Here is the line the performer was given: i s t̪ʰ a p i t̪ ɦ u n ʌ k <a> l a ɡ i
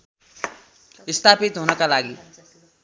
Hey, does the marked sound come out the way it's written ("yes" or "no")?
yes